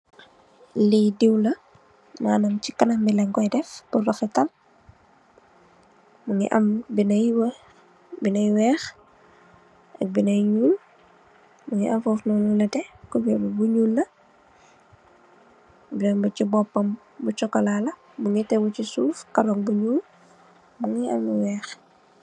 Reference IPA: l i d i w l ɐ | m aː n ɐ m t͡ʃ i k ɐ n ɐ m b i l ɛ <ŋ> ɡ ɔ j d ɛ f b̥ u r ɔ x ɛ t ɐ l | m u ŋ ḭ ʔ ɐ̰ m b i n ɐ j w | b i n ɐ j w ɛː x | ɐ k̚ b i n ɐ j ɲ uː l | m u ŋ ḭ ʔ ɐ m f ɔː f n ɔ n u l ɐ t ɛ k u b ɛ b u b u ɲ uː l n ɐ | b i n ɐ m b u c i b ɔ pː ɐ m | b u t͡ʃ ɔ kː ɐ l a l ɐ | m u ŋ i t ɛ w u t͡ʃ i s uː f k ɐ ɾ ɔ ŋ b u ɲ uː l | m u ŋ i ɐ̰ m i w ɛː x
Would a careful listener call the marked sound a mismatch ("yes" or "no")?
no